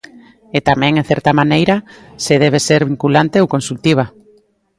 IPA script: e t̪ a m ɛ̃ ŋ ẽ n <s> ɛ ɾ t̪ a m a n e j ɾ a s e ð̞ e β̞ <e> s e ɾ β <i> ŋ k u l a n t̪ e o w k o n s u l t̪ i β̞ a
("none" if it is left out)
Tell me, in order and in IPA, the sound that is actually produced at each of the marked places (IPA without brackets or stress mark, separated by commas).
θ, e, i